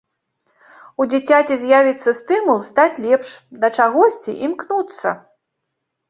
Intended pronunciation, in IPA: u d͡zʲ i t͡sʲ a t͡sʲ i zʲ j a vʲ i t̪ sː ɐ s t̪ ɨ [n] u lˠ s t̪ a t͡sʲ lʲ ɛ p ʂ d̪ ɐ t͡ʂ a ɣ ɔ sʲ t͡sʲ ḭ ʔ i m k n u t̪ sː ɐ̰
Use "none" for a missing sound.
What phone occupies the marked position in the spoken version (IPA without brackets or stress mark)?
m